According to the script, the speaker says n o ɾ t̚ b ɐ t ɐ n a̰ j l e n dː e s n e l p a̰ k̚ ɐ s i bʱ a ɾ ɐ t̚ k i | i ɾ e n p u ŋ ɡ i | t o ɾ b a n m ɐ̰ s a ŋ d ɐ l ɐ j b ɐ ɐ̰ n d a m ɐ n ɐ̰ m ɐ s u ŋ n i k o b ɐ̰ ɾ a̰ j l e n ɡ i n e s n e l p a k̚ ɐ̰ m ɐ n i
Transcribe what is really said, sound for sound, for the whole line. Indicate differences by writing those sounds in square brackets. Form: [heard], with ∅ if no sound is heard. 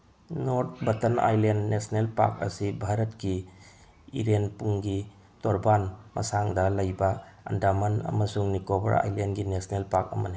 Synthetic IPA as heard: n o ɾ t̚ b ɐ t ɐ n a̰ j l e n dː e s n e l p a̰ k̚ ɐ s i bʱ a ɾ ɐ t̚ k i | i ɾ e n p u ŋ ɡ i | t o ɾ b a n m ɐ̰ s a ŋ d ɐ l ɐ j b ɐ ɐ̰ n d a m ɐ n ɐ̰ m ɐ s u ŋ n i k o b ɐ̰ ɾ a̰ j l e n ɡ i n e s n e l p a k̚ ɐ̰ m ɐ n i